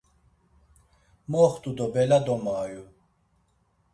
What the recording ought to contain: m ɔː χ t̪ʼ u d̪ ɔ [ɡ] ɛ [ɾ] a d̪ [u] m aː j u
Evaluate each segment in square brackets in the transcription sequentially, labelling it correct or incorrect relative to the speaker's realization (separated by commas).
incorrect, incorrect, incorrect